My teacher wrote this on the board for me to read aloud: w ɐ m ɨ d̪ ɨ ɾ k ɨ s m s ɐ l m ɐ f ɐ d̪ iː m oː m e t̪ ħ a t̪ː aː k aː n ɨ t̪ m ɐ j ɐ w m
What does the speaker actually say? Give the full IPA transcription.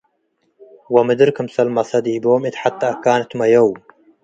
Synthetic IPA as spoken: w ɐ m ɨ d̪ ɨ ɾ k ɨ m s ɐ l m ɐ s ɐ d̪ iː b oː m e t̪ ħ a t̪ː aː k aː n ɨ t̪ m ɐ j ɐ w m

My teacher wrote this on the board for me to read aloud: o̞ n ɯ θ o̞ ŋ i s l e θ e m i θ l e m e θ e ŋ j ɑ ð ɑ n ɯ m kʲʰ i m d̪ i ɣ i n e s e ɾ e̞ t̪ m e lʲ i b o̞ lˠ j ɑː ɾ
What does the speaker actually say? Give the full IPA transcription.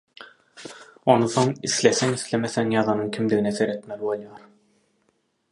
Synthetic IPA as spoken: o̞ n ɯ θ o̞ ŋ i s l e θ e ŋ i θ l e m e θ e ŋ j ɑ ð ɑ n ɯ ŋ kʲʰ i m d̪ i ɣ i n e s e ɾ e̞ t̪ m e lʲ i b o̞ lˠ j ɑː ɾ

